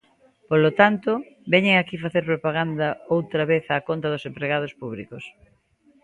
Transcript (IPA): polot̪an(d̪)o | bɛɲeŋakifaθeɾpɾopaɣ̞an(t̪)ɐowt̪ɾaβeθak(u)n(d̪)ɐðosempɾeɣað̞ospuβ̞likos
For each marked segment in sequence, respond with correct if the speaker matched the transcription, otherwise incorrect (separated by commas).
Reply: incorrect, incorrect, incorrect, incorrect